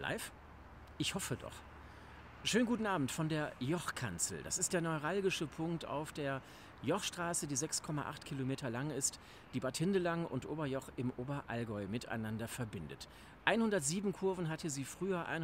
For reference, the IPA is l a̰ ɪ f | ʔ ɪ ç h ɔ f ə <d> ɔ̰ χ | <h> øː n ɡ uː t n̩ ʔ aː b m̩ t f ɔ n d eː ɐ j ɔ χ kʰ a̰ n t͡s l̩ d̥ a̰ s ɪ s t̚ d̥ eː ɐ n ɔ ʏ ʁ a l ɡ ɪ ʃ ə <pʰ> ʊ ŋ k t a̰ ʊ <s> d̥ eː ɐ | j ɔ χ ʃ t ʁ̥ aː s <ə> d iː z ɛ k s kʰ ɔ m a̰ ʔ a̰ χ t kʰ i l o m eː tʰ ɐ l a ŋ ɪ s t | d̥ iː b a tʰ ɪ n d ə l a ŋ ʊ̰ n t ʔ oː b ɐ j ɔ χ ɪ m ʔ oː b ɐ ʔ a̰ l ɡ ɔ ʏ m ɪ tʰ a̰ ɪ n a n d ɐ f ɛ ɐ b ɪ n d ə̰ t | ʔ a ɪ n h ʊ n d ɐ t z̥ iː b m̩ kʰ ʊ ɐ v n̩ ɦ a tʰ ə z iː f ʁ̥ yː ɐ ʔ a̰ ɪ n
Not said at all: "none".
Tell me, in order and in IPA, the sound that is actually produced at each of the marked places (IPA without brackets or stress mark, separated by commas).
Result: d, ʃ, pʰ, f, ə